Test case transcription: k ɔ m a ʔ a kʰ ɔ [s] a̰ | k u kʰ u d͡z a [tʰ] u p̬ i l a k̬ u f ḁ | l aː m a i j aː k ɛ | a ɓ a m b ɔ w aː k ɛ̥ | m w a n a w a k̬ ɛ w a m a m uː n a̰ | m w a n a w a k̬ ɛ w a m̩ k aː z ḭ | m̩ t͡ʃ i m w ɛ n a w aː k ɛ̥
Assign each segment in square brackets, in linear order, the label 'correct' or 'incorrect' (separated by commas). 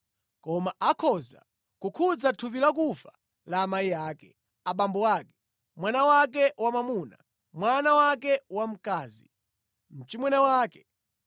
incorrect, correct